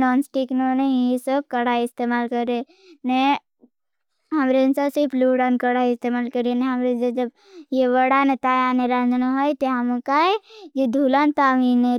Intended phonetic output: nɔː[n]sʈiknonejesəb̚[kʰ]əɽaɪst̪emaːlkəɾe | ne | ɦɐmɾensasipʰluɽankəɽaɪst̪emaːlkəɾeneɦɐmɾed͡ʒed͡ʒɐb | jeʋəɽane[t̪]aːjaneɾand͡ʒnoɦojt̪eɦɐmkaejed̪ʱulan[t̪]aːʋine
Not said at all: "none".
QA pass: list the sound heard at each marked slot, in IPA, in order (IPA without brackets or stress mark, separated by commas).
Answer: n, k, t̪, t̪